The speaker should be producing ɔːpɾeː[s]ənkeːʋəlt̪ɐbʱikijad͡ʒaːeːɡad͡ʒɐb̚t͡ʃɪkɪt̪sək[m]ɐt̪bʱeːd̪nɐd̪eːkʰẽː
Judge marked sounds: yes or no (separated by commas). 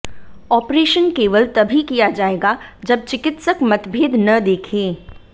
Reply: no, yes